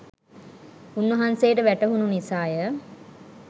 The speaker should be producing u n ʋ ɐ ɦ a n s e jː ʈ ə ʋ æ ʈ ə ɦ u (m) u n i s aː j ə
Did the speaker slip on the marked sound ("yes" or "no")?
yes